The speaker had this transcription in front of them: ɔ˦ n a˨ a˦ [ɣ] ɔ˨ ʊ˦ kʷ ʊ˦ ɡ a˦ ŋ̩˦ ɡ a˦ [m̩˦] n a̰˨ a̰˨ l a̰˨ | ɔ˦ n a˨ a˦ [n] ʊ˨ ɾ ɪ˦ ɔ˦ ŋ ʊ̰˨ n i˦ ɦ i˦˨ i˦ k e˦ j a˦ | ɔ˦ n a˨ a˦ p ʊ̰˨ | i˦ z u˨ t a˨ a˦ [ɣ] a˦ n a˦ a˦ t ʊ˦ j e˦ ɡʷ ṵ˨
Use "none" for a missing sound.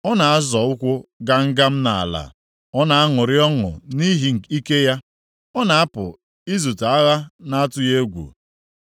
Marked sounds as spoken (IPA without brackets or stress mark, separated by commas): z, m̩˦, ŋ, ɣ